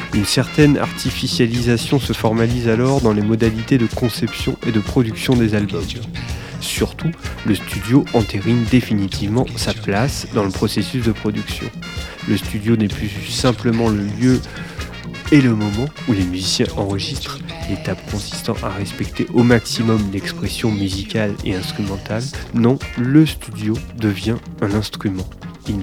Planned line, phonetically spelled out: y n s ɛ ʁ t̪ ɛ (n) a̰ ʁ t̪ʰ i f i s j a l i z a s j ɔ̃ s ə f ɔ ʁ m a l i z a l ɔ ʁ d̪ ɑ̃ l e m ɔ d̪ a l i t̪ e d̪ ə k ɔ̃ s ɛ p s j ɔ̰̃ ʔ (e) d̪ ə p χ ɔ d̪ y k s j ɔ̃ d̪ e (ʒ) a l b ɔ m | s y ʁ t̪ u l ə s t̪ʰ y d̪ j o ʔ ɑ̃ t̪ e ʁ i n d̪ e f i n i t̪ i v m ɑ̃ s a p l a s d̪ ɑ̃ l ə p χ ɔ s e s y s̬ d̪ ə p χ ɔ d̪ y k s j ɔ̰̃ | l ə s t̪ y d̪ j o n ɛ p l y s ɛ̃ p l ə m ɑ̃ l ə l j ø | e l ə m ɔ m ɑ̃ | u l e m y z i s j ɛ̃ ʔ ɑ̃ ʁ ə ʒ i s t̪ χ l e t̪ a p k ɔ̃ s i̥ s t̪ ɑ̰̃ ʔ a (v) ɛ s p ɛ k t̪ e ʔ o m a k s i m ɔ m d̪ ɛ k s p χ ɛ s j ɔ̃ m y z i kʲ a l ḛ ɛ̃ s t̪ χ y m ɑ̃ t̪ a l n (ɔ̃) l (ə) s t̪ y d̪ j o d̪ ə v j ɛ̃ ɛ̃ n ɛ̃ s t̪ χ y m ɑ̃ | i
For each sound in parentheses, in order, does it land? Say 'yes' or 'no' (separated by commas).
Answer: yes, yes, no, no, yes, yes